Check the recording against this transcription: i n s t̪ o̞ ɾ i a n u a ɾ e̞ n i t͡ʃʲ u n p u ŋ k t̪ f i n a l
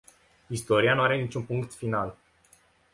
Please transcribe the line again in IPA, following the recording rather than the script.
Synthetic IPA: i s t̪ o̞ ɾ i a n u a ɾ e̞ n i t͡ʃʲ u n p u ŋ k t̪ f i n a l